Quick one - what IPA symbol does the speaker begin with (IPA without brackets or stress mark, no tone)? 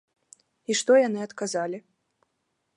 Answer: i